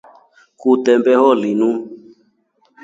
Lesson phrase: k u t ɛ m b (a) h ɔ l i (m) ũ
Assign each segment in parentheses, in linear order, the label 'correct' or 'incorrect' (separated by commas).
incorrect, incorrect